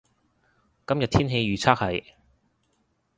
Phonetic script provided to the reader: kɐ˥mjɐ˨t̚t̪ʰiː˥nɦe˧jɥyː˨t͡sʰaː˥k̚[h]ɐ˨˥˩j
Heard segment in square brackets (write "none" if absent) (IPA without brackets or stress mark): h